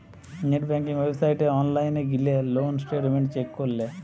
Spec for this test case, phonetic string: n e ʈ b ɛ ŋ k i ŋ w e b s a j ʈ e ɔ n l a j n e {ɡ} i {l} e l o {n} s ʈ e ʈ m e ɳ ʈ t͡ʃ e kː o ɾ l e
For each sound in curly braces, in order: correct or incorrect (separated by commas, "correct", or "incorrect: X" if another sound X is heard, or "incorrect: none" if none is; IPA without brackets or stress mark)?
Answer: correct, correct, correct